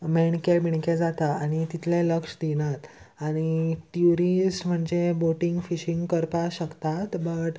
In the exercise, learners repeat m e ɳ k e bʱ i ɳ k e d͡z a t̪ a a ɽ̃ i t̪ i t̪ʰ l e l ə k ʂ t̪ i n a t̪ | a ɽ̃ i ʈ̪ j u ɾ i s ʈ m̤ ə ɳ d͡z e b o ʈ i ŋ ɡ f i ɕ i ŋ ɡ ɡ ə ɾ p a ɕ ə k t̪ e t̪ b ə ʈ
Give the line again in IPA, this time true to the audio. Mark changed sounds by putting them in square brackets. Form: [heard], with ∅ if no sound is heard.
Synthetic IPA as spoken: m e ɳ k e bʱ i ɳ k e d͡z a t̪ a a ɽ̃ i t̪ i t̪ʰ l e l ə k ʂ [d̪] i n a t̪ | a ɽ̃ i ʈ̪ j u ɾ i s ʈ m̤ ə ɳ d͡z e b o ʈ i ŋ ɡ f i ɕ i ŋ ɡ [k] ə ɾ p a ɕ ə k t̪ [a] t̪ b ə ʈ

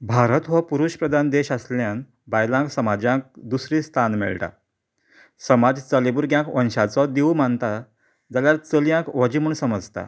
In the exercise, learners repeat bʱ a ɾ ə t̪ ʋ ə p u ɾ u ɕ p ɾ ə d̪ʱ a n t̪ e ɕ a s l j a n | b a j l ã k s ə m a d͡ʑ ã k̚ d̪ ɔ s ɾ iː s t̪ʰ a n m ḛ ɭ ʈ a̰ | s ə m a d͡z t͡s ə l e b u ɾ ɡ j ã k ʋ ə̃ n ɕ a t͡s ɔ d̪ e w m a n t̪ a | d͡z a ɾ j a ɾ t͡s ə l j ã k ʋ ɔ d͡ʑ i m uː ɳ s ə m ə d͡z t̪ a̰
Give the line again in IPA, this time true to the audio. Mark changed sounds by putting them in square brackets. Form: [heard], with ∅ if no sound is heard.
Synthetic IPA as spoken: bʱ a ɾ ə t̪ ʋ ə p u ɾ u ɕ p ɾ ə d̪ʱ a n [d̪] e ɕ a s l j a n | b a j l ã k s ə m a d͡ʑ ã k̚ d̪ [u] s ɾ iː s t̪ʰ a n m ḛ ɭ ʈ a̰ | s ə m a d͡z t͡s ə l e b u ɾ ɡ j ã k ʋ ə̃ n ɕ a t͡s ɔ d̪ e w m a n t̪ a | d͡z a [l] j a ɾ t͡s ə l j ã k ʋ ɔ d͡ʑ i m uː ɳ s ə m ə d͡z t̪ a̰

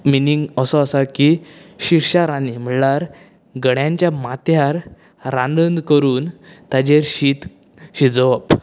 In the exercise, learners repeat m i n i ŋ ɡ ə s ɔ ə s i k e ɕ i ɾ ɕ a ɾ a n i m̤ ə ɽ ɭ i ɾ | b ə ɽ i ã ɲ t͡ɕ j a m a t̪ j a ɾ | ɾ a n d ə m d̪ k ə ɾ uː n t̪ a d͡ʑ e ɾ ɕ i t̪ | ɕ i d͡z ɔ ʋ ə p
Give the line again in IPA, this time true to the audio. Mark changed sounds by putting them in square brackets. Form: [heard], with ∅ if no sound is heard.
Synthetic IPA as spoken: m i n i ŋ ɡ ə s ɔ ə s [a] k [i] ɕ i ɾ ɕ a ɾ a n i m̤ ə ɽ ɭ [a] ɾ | [ɡ] ə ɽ [j] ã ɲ t͡ɕ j a m a t̪ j a ɾ | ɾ a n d ə [n] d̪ k ə ɾ uː n t̪ a d͡ʑ e ɾ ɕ i t̪ | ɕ i d͡z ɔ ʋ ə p

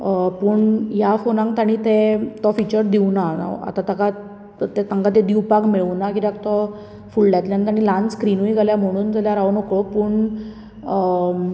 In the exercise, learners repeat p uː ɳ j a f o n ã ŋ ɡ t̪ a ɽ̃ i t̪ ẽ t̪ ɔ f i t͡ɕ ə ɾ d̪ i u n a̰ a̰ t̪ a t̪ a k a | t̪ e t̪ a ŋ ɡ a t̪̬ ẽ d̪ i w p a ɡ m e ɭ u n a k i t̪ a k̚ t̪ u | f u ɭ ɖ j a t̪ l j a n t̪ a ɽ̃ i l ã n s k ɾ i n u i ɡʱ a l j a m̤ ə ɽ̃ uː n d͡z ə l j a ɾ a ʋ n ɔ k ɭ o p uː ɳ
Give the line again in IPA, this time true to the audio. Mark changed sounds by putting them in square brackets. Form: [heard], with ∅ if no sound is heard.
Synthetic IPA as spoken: p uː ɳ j a f o n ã ŋ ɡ t̪ a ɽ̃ i t̪ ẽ t̪ ɔ f i t͡ɕ ə ɾ d̪ i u n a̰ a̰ t̪ a t̪ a k a | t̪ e t̪ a ŋ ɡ a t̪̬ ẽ d̪ i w p a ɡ m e ɭ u n a k i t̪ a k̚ t̪ [ɔ] | f u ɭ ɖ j a t̪ l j a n t̪ a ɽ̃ i l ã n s k ɾ i n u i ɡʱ a l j a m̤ ə ɽ̃ uː n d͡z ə l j a ɾ a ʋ n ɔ k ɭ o p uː ɳ

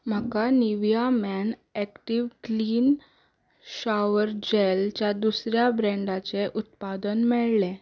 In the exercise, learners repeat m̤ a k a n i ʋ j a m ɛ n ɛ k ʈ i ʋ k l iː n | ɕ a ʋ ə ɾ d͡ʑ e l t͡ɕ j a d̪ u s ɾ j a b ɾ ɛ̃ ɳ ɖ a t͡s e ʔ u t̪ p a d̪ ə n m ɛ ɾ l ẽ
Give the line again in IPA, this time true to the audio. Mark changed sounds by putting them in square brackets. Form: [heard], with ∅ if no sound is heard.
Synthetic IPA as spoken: m̤ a k a n i ʋ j a m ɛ n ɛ k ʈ i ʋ k l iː n | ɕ a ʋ ə ɾ d͡ʑ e l t͡ɕ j a d̪ u s ɾ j a b ɾ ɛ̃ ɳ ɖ a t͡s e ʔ u t̪ p a d̪ ə n m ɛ [ɭ] l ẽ

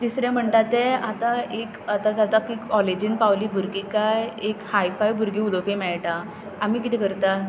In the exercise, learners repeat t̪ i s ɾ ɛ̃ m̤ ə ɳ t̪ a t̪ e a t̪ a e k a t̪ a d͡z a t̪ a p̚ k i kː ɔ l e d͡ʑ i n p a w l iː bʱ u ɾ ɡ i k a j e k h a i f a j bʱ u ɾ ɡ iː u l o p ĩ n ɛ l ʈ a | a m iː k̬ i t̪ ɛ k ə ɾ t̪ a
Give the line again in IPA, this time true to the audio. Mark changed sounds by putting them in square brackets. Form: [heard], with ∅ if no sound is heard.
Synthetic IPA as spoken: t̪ i s ɾ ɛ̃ m̤ ə ɳ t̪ a t̪ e a t̪ a e k a t̪ a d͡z a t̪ a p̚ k i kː ɔ l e d͡ʑ i n p a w l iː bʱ u ɾ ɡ i k a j e k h a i f a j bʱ u ɾ ɡ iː u l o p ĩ [m] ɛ [ɭ] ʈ a | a m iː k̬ i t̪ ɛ k ə ɾ t̪ a

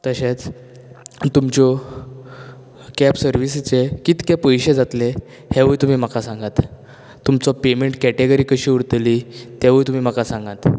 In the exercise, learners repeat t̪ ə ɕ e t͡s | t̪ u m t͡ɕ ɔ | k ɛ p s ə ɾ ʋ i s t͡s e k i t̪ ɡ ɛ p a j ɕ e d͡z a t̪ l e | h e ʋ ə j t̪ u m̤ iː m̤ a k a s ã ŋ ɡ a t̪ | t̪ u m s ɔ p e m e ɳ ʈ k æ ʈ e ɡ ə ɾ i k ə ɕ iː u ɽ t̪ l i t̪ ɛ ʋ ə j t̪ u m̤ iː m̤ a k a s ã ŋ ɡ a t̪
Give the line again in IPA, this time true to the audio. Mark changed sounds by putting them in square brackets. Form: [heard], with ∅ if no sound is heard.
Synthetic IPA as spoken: t̪ ə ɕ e t͡s | t̪ u m t͡ɕ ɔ | k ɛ p s ə ɾ ʋ i s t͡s e k i t̪ [k] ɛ p [ə] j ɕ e d͡z a t̪ l e | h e ʋ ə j t̪ u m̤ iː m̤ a k a s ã ŋ ɡ a t̪ | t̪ u m [t͡s] ɔ p e m e ɳ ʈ k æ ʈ e ɡ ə ɾ i k ə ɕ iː u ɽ t̪ l i t̪ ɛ ʋ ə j t̪ u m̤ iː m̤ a k a s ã ŋ ɡ a t̪

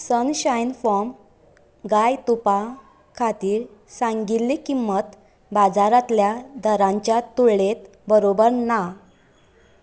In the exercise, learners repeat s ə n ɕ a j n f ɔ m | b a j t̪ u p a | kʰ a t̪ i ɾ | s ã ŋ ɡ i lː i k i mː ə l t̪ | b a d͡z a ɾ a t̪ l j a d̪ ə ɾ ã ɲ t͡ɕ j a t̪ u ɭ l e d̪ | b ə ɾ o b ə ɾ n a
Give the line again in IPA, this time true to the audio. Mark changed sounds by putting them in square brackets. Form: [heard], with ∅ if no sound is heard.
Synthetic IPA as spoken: s ə n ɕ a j n f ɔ m | [ɡ] a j t̪ u p a | kʰ a t̪ [iː] ɾ | s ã ŋ ɡ i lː i k i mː ə [∅] t̪ | b a d͡z a ɾ a t̪ l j a d̪ ə ɾ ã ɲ t͡ɕ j a t̪ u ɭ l e [t̪] | b ə ɾ o b ə ɾ n a

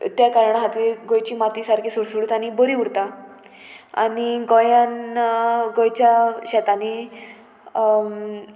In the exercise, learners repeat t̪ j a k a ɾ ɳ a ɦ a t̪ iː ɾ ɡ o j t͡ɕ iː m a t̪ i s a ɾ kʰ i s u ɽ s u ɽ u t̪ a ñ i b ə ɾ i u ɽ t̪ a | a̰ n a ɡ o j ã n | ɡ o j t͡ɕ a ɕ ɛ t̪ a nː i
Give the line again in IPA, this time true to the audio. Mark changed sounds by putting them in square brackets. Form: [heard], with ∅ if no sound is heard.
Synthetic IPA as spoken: t̪ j a k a ɾ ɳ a ɦ a t̪ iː ɾ ɡ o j t͡ɕ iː m a t̪ i s a ɾ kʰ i s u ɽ s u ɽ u t̪ a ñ i b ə ɾ i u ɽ t̪ a | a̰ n [i] ɡ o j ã n | ɡ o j t͡ɕ a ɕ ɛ t̪ a [n] i

